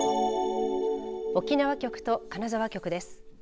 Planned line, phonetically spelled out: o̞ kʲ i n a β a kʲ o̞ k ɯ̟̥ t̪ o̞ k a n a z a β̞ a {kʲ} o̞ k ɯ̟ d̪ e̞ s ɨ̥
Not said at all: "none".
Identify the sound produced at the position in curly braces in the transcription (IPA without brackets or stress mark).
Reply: kʲ